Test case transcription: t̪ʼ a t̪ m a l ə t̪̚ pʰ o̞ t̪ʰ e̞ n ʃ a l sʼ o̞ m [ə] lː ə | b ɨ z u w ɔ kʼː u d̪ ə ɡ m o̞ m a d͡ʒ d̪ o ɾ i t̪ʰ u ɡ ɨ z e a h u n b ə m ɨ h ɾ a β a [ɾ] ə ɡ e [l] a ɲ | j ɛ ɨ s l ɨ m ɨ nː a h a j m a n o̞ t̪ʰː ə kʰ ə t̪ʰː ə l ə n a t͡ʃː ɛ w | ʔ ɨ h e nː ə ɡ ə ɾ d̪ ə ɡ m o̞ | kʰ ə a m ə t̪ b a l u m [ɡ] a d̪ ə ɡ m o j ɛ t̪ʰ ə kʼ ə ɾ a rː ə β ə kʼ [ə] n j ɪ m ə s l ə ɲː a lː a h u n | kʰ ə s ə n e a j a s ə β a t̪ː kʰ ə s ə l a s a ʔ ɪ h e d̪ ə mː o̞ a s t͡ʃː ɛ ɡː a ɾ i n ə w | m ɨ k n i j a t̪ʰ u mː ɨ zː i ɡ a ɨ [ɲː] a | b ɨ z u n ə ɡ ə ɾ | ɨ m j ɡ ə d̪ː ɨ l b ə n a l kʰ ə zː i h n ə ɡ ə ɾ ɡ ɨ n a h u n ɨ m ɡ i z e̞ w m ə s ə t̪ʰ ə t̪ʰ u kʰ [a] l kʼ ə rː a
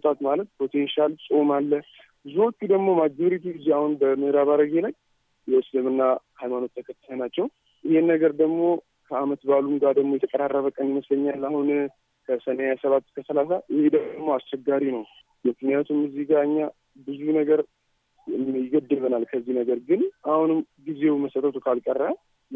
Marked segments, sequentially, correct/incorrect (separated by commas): incorrect, correct, correct, correct, correct, correct, correct